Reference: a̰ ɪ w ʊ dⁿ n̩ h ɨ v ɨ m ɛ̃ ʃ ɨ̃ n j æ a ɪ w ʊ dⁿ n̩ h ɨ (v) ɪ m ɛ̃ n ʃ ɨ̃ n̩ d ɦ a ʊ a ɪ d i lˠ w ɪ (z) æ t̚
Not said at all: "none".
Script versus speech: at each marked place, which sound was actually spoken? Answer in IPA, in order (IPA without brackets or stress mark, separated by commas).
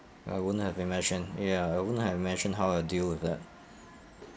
v, ð